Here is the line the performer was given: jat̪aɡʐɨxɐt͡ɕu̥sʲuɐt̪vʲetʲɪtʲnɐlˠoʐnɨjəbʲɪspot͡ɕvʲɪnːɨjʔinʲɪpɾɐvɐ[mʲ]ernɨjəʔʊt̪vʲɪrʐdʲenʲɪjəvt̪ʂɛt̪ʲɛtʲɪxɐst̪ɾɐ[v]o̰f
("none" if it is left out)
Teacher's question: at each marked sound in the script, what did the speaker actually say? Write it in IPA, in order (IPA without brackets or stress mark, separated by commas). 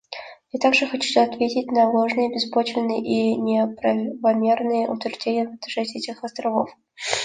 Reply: mʲ, v